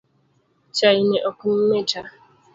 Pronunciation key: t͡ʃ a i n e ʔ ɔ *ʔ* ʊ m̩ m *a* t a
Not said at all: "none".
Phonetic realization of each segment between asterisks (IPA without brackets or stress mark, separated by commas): k, e